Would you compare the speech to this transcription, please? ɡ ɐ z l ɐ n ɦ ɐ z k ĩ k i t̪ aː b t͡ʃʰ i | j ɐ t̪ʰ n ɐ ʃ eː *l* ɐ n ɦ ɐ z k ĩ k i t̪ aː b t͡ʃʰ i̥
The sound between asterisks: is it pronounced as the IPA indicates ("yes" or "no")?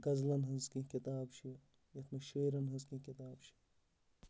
no